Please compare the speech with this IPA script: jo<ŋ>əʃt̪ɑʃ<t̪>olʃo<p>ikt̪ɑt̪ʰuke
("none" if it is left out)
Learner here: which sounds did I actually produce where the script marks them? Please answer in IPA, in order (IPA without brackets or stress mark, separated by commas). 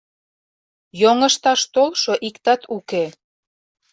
ŋ, t̪, ʔ